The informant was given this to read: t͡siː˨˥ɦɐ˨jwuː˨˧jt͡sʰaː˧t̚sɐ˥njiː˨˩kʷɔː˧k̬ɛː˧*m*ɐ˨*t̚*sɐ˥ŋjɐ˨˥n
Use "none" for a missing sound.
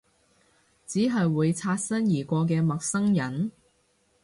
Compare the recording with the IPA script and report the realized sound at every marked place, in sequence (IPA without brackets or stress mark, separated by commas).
m, k̚